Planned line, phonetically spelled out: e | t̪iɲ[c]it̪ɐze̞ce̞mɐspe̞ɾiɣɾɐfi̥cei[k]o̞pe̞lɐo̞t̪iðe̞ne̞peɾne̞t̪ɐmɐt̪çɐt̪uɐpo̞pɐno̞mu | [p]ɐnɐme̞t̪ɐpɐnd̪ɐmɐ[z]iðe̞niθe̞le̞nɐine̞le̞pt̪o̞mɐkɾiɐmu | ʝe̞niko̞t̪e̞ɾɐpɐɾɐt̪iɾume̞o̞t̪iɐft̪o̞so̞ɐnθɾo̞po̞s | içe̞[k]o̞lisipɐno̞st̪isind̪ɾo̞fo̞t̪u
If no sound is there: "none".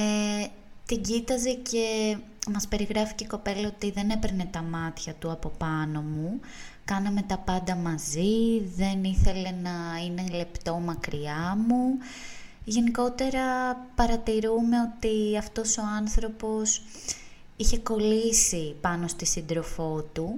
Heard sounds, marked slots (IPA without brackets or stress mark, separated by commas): ɟ, k, k, z, k